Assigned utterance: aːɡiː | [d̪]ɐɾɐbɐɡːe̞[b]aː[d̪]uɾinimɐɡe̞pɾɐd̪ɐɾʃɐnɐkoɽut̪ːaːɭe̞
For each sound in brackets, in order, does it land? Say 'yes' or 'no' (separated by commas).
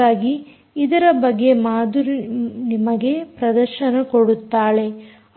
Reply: yes, no, yes